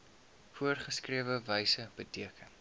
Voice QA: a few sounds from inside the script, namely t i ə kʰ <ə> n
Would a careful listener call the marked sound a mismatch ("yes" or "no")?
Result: no